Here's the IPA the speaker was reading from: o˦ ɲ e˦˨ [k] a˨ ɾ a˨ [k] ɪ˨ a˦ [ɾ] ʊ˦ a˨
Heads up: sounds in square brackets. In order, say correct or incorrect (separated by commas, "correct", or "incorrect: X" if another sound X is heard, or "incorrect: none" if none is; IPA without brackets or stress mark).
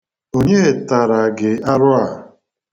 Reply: incorrect: t, incorrect: ɡ, correct